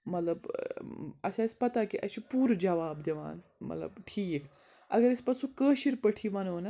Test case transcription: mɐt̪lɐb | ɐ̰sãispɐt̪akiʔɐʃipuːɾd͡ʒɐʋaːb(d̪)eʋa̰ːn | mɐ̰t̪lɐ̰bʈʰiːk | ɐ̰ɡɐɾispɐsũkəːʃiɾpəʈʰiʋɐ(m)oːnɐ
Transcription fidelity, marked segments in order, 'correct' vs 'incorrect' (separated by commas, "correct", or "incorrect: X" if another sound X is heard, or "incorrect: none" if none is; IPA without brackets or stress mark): correct, incorrect: n